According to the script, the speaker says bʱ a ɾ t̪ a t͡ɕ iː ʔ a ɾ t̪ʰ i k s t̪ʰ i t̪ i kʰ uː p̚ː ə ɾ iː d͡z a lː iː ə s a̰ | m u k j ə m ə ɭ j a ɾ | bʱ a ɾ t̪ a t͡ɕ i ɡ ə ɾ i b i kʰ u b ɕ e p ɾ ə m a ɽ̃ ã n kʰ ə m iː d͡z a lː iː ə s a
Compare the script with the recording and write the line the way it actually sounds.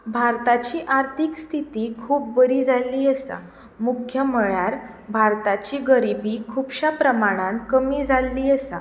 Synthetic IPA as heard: bʱ a ɾ t̪ a t͡ɕ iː ʔ a ɾ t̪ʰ i k s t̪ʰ i t̪ i kʰ uː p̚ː ə ɾ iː d͡z a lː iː ə s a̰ | m u kʰ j ə m ə ɭ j a ɾ | bʱ a ɾ t̪ a t͡ɕ i ɡ ə ɾ i b i kʰ u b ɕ a p ɾ ə m a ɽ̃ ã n k ə m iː d͡z a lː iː ə s a